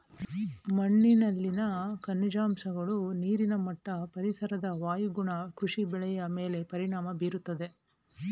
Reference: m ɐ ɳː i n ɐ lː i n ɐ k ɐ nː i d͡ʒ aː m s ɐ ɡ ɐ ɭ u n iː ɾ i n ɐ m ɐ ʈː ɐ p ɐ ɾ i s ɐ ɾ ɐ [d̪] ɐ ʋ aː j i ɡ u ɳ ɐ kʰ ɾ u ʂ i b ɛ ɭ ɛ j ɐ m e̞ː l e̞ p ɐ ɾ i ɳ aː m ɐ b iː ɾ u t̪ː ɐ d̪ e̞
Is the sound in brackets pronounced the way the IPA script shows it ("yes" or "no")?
yes